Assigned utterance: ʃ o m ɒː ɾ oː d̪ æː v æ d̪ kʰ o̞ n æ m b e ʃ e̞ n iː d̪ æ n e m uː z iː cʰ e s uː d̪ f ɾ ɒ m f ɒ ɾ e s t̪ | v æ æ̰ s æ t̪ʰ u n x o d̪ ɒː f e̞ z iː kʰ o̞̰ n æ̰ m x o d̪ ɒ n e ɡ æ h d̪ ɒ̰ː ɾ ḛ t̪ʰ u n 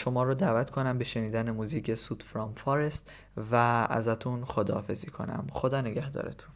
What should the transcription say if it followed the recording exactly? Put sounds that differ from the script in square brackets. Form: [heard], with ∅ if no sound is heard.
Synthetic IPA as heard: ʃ o m ɒː ɾ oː d̪ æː v æ [t̪] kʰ o̞ n æ m b e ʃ e̞ n iː d̪ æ n e m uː z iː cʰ e s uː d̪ f ɾ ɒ m f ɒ ɾ e s t̪ | v æ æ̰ [z] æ t̪ʰ u n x o d̪ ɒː f e̞ z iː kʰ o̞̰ n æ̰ m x o d̪ [ɒː] n e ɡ æ h d̪ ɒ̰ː ɾ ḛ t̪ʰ u n